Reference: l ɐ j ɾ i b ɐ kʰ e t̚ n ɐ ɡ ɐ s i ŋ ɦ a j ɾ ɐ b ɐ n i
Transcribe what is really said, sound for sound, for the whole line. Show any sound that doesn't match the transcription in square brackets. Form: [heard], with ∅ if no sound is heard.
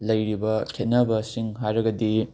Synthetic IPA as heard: l ɐ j ɾ i b ɐ kʰ e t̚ n ɐ [b] ɐ s i ŋ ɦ a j ɾ ɐ [ɡ] ɐ [d] i